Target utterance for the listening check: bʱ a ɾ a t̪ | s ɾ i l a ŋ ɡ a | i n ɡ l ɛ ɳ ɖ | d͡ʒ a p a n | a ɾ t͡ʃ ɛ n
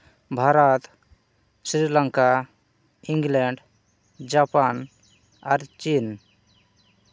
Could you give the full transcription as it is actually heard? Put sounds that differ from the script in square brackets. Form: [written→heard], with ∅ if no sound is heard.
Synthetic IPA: bʱ a ɾ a t̪ | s ɾ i l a ŋ [ɡ→k] a | i [n→ŋ] ɡ l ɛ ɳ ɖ | d͡ʒ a p a n | a ɾ t͡ʃ [ɛ→i] n